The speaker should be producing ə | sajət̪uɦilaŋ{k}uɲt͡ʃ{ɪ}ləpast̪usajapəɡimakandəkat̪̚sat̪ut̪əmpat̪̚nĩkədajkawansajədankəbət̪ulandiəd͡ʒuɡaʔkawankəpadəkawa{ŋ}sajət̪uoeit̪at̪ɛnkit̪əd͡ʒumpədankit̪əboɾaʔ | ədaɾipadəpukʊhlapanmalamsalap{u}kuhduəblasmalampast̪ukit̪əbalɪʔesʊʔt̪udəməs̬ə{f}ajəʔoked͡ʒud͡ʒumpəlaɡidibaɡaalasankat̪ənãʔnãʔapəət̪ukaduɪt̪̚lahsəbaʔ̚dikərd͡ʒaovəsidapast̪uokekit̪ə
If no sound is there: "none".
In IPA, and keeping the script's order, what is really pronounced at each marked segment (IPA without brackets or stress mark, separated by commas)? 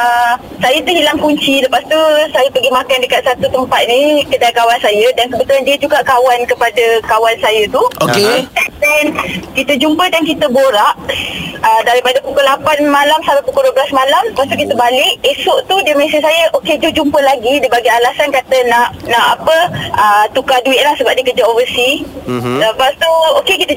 k, i, n, u, s